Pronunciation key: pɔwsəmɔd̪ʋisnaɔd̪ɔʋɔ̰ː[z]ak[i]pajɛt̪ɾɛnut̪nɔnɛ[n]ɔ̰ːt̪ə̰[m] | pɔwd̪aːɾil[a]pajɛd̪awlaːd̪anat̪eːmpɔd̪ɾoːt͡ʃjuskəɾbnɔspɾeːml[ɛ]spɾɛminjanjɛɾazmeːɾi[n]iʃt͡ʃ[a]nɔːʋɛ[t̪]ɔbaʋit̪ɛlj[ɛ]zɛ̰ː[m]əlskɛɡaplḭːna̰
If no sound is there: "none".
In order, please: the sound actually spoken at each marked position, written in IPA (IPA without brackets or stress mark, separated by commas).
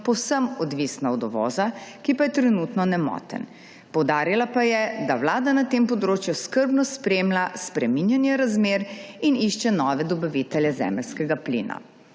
z, i, m, n, a, a, n, ɛ, d̪, ɛ, m